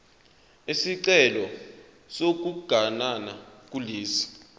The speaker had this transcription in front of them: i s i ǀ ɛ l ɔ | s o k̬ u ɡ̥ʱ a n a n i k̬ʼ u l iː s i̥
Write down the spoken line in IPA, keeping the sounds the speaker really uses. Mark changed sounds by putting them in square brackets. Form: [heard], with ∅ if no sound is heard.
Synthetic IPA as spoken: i s i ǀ ɛ l ɔ | s o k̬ u ɡ̥ʱ a n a n [a] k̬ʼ u l iː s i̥